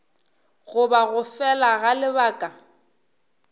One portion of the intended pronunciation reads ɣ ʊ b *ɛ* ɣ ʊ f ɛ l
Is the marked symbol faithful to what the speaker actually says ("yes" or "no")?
no